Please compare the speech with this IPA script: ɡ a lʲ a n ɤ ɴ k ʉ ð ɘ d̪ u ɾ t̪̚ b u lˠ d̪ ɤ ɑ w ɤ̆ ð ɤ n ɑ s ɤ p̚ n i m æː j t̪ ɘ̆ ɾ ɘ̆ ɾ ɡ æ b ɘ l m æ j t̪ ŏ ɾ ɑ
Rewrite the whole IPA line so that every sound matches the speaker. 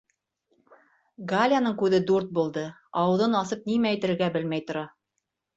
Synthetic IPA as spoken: ɡ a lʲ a n ɤ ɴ k ʉ ð ɘ d̪ u ɾ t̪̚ b u lˠ d̪ ɤ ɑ w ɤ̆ ð ɤ n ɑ s ɤ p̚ n i m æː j t̪ ɘ̆ ɾ ɘ̆ ɾ ɡ æ b ɘ l m æ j t̪ ŏ ɾ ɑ